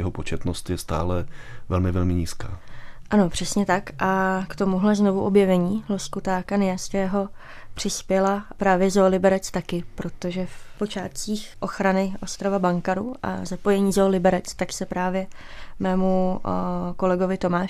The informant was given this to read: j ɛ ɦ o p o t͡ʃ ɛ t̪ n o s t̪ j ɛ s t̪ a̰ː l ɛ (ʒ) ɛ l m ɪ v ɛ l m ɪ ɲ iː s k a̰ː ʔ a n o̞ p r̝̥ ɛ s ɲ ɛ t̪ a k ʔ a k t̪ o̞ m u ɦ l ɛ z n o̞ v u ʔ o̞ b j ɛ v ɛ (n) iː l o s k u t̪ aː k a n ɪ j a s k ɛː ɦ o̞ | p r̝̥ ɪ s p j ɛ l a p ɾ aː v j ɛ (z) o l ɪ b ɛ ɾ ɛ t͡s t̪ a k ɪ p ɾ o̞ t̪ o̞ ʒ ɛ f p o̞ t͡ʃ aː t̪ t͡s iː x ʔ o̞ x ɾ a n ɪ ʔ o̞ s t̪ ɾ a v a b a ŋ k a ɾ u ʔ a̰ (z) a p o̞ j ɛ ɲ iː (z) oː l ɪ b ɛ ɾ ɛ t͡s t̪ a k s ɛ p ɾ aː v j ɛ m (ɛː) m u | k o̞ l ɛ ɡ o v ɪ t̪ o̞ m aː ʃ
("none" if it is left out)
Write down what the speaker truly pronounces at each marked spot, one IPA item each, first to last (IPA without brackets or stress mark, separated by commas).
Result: v, ɲ, z, z, z, ɛː